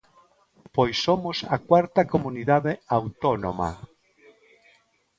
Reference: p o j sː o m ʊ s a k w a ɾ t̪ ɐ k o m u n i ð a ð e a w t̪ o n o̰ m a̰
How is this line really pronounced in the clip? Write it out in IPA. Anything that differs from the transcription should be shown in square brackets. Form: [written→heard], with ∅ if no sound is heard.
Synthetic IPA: p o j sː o m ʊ s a k w a ɾ t̪ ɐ k o m u n i ð a ð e a w t̪ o n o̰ m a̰